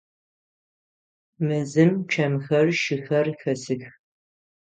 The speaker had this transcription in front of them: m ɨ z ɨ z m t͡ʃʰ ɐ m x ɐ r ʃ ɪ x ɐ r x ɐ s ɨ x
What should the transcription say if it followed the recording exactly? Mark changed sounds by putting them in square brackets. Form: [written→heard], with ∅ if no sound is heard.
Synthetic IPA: m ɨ z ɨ [z→∅] m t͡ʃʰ ɐ m x ɐ r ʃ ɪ x ɐ r x ɐ s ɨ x